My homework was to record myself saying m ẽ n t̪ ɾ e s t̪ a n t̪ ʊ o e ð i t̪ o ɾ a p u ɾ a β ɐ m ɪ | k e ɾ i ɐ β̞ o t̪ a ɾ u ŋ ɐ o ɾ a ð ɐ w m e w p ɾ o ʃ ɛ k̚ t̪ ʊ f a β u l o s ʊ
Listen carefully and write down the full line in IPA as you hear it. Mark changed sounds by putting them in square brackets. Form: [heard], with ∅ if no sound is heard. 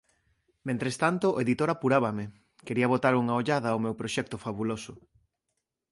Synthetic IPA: m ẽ n t̪ ɾ e s t̪ a n t̪ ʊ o e ð i t̪ o ɾ a p u ɾ a β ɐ m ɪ | k e ɾ i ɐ β̞ o t̪ a ɾ u ŋ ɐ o [ʎ] a ð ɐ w m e w p ɾ o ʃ ɛ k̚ t̪ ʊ f a β u l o s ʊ